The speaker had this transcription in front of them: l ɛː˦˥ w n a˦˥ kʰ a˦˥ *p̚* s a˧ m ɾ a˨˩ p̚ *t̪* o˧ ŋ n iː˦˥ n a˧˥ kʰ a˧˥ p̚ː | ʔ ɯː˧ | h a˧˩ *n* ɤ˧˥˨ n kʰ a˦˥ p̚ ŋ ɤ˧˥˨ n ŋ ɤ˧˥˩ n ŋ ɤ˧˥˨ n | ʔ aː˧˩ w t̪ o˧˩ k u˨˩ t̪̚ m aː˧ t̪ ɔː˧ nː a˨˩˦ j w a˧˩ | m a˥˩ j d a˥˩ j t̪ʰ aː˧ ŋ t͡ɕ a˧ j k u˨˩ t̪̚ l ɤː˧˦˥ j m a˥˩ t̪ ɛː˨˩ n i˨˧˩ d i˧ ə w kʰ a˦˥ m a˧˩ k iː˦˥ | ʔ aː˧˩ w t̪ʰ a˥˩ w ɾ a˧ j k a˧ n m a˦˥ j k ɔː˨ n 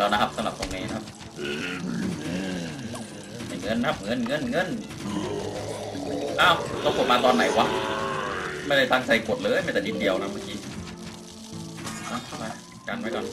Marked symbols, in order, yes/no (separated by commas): yes, yes, no